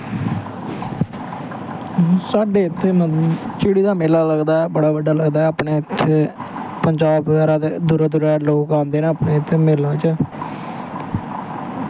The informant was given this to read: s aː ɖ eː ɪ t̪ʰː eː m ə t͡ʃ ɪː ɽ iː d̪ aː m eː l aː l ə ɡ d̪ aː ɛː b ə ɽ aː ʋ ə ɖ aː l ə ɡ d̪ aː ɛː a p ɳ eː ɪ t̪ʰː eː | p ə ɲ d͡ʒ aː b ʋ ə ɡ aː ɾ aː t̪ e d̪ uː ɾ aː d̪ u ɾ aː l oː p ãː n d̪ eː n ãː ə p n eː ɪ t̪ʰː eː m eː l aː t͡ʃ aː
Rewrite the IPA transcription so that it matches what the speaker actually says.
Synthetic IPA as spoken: s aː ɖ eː ɪ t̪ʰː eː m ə t͡ʃ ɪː ɽ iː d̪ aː m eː l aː l ə ɡ d̪ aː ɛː b ə ɽ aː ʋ ə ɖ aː l ə ɡ d̪ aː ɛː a p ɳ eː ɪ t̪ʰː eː | p ə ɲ d͡ʒ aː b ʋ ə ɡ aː ɾ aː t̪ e d̪ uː ɾ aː d̪ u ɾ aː l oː k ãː n d̪ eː n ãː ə p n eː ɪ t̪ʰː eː m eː l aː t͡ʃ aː

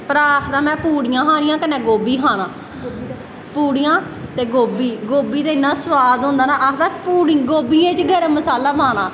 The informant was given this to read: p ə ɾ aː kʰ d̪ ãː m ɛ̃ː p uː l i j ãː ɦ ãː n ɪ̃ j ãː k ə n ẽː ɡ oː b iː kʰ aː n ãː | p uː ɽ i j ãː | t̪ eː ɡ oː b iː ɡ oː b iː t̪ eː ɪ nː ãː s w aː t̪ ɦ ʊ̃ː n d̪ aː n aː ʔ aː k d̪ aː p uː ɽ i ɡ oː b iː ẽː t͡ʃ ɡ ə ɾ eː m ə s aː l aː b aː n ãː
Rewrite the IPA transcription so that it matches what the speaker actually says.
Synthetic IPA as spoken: p ə ɾ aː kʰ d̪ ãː m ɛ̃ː p uː ɽ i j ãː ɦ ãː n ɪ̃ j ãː k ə n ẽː ɡ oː b iː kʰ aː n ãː | p uː ɽ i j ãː | t̪ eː ɡ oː b iː ɡ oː b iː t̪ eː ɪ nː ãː s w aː d̪ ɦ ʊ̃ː n d̪ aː n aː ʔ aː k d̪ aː p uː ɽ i ɡ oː b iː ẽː t͡ʃ ɡ ə ɾ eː m ə s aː l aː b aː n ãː

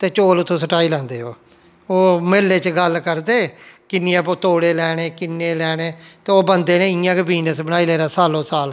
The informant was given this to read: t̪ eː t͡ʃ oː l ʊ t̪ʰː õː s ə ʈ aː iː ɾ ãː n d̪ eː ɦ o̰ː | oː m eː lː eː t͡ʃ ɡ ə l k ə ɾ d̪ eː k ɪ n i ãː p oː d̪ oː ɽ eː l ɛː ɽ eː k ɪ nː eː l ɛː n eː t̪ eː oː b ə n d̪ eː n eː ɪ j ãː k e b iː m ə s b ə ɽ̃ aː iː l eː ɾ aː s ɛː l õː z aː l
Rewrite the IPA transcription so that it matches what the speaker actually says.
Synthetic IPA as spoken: t̪ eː t͡ʃ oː l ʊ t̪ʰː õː s ə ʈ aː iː l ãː n d̪ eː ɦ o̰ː | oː m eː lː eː t͡ʃ ɡ ə l k ə ɾ d̪ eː k ɪ n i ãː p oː t̪ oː ɽ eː l ɛː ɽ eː k ɪ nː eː l ɛː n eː t̪ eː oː b ə n d̪ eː n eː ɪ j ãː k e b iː n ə s b ə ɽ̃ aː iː l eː ɾ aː s aː l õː s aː l

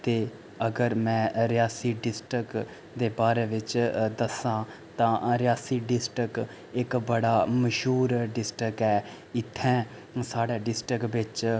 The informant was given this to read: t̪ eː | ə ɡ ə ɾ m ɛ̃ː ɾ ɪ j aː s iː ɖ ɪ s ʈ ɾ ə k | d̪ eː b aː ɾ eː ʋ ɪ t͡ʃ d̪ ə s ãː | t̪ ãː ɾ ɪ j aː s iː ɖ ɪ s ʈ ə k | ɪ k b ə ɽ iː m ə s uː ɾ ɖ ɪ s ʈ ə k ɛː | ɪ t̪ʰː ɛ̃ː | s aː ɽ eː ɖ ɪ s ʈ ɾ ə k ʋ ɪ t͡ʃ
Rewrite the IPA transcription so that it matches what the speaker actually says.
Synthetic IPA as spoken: t̪ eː | ə ɡ ə ɾ m ɛ̃ː ɾ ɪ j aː s iː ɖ ɪ s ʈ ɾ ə k | d̪ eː b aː ɾ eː ʋ ɪ t͡ʃ d̪ ə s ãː | t̪ ãː ɾ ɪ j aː s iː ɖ ɪ s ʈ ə k | ɪ k b ə ɽ aː m ə ʃ uː ɾ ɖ ɪ s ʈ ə k ɛː | ɪ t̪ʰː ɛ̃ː | s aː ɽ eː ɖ ɪ s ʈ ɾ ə k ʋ ɪ t͡ʃ

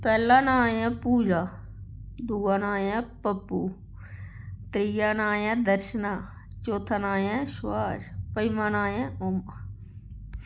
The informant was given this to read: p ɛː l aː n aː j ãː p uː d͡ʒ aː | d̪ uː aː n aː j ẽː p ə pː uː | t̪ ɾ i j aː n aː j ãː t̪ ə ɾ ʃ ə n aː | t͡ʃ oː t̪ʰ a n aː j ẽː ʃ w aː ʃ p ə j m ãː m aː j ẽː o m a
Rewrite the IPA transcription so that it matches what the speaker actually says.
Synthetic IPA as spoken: p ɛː l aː n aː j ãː p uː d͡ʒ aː | d̪ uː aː n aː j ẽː p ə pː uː | t̪ ɾ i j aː n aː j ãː d̪ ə ɾ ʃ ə n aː | t͡ʃ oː t̪ʰ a n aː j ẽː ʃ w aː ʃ p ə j m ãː n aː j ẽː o m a

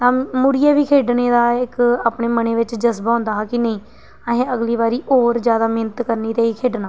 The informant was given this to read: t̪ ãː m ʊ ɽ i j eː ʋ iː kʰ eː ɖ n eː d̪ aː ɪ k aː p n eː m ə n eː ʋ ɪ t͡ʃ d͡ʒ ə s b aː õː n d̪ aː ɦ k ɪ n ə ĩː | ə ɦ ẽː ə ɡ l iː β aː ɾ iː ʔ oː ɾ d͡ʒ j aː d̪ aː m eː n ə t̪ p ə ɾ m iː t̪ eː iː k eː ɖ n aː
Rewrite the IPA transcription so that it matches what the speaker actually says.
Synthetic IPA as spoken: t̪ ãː m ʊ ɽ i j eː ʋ iː kʰ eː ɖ n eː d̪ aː ɪ k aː p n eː m ə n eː ʋ ɪ t͡ʃ d͡ʒ ə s b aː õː n d̪ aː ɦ k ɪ n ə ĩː | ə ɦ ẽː ə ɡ l iː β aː ɾ iː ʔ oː ɾ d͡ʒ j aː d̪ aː m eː n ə t̪ k ə ɾ n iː t̪ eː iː kʰ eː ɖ n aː

